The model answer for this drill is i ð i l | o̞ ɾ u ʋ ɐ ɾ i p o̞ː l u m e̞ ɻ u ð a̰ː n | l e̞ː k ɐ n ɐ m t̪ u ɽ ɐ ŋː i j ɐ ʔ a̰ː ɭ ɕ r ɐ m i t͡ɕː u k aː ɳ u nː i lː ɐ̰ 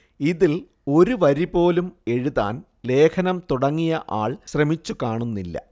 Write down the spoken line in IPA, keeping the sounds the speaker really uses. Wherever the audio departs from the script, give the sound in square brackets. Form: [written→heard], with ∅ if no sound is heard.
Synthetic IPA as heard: i ð i l | o̞ ɾ u ʋ ɐ ɾ i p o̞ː l u m e̞ ɻ u ð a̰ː n | l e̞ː [k→kʰ] ɐ n ɐ m t̪ u ɽ ɐ ŋː i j ɐ ʔ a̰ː ɭ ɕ r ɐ m i t͡ɕː u k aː ɳ u nː i lː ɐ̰